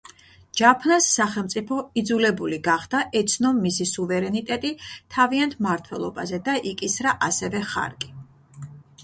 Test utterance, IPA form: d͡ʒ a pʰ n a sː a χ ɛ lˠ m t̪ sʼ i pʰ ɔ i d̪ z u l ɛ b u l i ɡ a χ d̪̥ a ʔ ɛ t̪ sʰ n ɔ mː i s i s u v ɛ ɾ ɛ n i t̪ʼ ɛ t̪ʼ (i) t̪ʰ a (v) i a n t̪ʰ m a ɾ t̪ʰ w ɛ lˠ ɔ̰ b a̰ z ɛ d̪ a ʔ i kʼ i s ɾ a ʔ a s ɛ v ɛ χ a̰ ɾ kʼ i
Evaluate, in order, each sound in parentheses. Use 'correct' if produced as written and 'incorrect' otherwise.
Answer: correct, correct

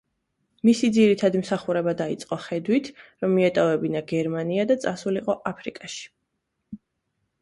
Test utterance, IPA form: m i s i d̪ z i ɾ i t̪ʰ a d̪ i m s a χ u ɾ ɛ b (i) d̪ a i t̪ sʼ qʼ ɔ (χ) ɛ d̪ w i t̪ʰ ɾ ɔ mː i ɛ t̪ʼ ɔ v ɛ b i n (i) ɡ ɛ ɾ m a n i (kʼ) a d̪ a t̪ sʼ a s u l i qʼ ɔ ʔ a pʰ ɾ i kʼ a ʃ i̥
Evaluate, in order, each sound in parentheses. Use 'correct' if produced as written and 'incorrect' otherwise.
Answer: incorrect: a, correct, incorrect: a, incorrect: none

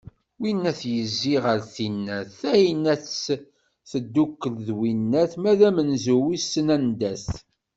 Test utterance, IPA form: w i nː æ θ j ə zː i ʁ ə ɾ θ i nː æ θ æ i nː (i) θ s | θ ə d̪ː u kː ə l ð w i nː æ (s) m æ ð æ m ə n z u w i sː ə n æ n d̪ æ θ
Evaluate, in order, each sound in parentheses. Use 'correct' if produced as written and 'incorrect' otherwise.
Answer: incorrect: æ, incorrect: θ

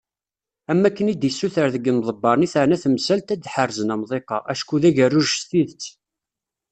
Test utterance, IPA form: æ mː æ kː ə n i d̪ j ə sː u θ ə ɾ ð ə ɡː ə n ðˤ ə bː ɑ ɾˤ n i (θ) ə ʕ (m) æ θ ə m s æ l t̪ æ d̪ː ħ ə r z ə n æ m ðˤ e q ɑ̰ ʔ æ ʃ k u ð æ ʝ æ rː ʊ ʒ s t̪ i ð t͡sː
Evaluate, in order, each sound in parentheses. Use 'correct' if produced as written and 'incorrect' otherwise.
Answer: correct, incorrect: n

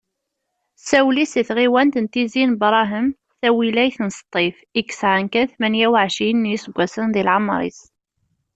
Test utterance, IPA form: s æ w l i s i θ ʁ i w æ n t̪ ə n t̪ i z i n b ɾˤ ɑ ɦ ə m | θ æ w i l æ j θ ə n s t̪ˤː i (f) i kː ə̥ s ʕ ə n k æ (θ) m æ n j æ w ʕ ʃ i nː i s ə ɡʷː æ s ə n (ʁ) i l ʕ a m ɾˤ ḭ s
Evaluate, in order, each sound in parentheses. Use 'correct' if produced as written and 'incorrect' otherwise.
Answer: correct, correct, incorrect: ð

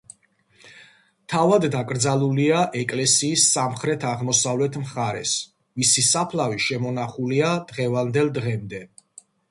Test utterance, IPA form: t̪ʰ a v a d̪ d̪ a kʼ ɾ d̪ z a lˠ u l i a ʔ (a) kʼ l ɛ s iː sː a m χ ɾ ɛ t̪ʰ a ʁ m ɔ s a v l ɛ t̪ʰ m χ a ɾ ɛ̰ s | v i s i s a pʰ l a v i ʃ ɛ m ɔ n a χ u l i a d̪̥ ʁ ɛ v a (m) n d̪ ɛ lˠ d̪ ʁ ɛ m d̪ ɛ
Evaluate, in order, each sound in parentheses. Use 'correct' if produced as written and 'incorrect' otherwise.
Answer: incorrect: ɛ, incorrect: none

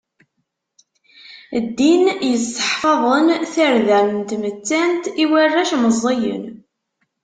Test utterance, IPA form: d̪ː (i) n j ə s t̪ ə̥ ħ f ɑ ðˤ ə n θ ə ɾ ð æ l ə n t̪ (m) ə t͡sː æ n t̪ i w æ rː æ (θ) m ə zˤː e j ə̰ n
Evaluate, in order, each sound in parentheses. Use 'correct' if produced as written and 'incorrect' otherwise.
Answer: correct, correct, incorrect: ʃ

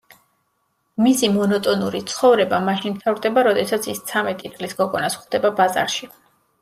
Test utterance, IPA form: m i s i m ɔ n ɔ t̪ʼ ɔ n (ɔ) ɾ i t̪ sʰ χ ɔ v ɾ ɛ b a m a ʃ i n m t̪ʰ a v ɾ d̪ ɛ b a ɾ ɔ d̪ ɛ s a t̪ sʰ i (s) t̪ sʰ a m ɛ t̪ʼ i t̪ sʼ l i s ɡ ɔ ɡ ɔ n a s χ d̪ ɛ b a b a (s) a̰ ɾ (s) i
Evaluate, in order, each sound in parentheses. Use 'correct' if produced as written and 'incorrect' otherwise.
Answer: incorrect: u, correct, incorrect: z, incorrect: ʃ

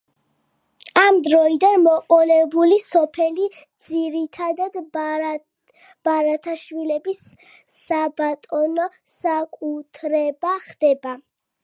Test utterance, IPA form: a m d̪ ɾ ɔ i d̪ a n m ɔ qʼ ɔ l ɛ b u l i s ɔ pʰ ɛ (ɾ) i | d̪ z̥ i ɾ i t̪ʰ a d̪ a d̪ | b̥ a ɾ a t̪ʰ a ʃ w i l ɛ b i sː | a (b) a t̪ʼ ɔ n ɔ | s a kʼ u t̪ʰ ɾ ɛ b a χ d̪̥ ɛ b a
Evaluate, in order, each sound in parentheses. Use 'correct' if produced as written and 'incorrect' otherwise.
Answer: incorrect: l, correct

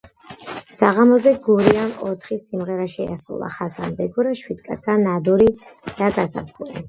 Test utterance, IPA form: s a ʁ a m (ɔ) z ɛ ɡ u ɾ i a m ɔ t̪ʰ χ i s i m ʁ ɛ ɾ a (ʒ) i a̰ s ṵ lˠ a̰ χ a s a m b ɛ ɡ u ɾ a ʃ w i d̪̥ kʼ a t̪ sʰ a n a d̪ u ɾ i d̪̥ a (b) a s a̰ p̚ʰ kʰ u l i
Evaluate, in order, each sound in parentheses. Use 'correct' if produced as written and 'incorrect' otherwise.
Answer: correct, incorrect: ʃ, incorrect: ɡ

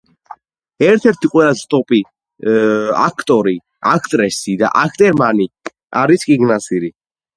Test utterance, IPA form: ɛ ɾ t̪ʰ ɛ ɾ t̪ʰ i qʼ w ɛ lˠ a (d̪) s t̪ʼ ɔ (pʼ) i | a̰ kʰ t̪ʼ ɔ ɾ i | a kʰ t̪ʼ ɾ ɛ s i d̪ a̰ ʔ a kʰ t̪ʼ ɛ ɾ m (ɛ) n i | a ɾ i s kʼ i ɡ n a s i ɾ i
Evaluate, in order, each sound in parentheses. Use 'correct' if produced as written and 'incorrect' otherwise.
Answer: incorrect: none, correct, incorrect: a

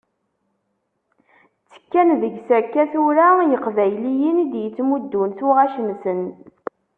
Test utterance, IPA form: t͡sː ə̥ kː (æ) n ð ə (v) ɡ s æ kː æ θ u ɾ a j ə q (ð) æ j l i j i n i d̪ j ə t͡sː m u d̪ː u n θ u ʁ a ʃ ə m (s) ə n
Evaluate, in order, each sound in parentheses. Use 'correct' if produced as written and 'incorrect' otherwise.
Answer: correct, incorrect: none, incorrect: v, correct

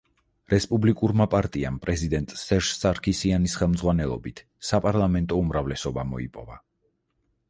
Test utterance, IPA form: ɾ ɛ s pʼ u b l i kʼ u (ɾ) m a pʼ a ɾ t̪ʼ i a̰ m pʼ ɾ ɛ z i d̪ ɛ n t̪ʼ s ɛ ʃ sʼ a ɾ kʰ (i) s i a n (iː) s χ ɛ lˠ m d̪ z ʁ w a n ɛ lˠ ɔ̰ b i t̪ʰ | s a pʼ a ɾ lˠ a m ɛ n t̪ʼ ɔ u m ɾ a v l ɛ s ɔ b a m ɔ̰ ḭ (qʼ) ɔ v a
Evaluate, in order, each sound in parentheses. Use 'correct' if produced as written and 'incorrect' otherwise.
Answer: correct, correct, incorrect: i, incorrect: pʼ

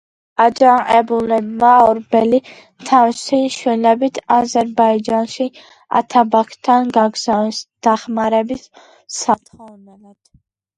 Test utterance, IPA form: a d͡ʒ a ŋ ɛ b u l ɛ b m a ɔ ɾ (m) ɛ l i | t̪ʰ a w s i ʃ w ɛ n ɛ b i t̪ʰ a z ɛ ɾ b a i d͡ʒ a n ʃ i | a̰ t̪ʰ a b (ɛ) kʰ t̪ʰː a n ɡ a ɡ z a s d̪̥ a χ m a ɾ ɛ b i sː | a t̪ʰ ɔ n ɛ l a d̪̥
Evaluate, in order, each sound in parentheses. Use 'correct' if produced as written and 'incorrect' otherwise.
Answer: incorrect: b, incorrect: a

